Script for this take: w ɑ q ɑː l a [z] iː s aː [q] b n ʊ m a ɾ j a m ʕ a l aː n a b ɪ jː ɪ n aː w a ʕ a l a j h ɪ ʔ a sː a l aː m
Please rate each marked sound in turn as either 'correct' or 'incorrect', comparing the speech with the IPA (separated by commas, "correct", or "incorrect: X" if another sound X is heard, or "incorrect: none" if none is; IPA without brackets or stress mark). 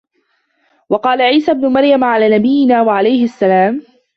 incorrect: ʕ, incorrect: none